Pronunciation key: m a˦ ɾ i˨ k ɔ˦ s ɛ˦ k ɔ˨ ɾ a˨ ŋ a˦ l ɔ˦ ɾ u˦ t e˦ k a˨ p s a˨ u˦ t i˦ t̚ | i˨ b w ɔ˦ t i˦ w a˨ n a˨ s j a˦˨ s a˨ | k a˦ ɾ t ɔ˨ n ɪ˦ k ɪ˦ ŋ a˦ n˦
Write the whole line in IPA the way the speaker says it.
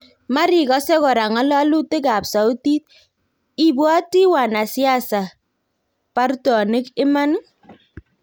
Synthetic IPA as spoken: m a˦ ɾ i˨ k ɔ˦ s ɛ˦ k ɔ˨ ɾ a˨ ŋ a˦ l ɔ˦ l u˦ t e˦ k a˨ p s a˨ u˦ t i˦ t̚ | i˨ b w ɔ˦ t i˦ w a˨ n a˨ s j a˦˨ s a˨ | p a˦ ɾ t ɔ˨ n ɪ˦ k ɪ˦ m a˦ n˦